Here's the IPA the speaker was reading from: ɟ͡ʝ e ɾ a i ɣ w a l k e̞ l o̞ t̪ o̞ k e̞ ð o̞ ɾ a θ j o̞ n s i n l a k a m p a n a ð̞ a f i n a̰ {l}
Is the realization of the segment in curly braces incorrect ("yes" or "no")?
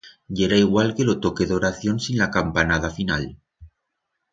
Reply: no